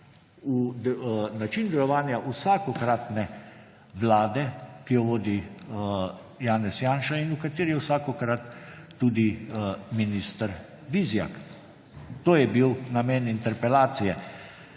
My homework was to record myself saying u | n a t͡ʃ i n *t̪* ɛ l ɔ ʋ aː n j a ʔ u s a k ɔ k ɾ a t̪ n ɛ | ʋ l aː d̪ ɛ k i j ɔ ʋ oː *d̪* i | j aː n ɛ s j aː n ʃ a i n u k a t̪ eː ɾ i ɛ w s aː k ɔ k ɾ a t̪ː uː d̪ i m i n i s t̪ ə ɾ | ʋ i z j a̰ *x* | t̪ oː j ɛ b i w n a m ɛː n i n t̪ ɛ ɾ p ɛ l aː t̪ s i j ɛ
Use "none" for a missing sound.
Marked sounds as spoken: d̪, d̪, k

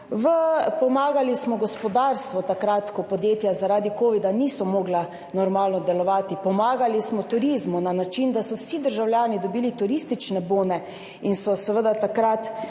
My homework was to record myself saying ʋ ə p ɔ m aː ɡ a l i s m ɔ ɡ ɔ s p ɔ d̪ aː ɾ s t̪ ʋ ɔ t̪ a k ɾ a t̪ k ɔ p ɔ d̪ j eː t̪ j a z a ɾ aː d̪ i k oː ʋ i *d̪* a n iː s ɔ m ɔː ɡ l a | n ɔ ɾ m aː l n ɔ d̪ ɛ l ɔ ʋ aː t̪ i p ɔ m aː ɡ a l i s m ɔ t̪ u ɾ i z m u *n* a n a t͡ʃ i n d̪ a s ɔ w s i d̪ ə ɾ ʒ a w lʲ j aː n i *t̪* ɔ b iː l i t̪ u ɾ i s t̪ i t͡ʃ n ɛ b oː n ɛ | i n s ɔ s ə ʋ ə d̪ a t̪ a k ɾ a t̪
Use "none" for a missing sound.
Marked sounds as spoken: d̪, n, d̪

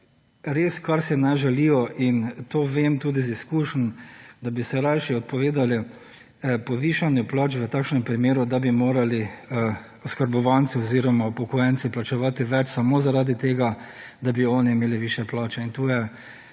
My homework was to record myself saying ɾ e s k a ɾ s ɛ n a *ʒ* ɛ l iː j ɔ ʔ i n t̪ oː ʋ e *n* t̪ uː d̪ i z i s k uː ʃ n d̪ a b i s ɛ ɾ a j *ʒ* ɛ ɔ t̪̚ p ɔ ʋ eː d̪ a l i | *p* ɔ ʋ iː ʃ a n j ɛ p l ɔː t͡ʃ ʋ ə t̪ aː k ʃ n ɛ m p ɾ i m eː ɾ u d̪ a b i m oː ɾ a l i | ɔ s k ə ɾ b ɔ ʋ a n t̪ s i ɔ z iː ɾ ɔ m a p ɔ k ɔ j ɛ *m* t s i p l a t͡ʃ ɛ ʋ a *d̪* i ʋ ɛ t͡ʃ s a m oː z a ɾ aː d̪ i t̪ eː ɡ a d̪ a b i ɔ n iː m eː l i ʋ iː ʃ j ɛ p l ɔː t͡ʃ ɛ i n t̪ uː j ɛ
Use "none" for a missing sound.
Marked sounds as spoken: ʒ, m, ʃ, p, n, t̪

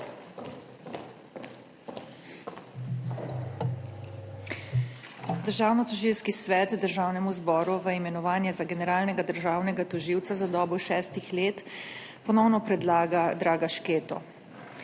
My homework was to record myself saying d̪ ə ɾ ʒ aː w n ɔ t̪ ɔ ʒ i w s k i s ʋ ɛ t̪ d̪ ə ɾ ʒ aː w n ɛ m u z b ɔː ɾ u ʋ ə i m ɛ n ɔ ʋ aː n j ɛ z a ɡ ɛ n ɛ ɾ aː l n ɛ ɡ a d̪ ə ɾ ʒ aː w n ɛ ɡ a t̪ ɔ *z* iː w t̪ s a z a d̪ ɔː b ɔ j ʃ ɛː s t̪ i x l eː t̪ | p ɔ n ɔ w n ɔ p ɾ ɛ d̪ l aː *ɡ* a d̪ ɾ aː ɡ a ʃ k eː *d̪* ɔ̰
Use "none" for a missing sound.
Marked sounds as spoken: ʒ, ɡ, t̪

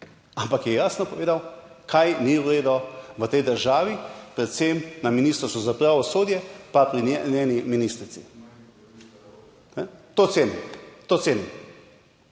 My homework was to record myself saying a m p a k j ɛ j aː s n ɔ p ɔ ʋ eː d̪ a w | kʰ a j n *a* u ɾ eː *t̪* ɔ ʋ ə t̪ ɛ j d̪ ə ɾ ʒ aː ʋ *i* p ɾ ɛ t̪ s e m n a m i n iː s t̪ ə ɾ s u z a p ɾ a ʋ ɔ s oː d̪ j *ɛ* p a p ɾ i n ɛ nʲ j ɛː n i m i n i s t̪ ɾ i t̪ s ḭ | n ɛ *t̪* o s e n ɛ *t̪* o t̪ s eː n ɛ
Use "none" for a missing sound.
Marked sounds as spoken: i, d̪, i, ɛ, t̪, t̪

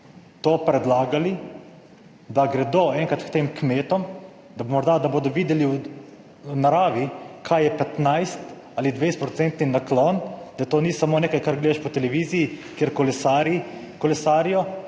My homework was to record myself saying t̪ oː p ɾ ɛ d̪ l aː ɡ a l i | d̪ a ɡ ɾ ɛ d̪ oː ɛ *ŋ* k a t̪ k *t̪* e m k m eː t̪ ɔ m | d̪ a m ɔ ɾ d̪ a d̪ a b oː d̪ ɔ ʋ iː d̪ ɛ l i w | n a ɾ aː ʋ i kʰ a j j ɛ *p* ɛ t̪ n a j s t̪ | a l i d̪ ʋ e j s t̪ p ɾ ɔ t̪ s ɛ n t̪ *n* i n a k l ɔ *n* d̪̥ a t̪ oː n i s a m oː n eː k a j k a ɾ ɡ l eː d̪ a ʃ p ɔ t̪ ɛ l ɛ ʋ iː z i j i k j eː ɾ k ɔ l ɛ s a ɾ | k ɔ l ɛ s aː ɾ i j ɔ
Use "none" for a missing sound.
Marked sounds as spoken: ŋ, t̪, p, n, n

